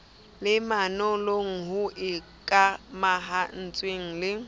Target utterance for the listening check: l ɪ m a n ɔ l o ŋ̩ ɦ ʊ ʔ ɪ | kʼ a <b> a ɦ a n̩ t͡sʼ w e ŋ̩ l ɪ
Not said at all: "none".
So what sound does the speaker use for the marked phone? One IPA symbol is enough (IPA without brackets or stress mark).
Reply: m